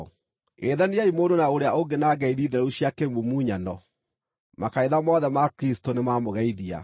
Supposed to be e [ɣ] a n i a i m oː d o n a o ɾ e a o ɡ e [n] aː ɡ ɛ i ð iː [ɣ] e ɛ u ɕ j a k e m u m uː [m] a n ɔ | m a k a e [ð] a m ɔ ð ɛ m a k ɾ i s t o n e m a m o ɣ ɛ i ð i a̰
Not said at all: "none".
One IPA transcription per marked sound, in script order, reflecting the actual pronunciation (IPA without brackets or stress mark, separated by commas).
ð, n, ð, ɲ, ð